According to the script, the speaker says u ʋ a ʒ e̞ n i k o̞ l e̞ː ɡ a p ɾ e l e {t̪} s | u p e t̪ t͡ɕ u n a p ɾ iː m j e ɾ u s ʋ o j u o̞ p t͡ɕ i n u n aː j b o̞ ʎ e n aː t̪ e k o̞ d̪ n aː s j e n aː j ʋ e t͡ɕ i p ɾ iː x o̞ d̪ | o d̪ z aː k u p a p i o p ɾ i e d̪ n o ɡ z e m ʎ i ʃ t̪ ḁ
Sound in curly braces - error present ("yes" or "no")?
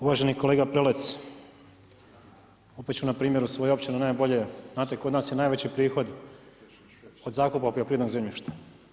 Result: no